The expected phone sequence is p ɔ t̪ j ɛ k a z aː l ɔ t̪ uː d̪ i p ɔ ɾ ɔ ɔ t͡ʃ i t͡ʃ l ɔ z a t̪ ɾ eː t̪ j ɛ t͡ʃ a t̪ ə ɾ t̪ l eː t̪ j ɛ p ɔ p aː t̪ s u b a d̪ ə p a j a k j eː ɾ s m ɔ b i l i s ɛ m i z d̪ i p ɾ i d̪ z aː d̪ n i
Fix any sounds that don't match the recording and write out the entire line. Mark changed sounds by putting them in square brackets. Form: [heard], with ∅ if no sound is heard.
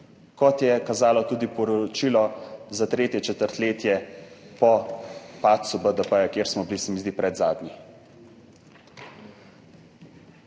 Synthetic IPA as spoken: [k] ɔ t̪ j ɛ k a z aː l ɔ t̪ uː d̪ i p ɔ ɾ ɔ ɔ t͡ʃ i [∅] l ɔ z a t̪ ɾ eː t̪ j ɛ t͡ʃ [ɛ] t̪ ə ɾ t̪ l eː t̪ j ɛ p ɔ p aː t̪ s u b [ə] d̪ ə p [ə] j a k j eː ɾ s m ɔ b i l i s ɛ m i z d̪ i p ɾ [ɛ] d̪ z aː d̪ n i